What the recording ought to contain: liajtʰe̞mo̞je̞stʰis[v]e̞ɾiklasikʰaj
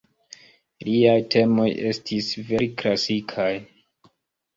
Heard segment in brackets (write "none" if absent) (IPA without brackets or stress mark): v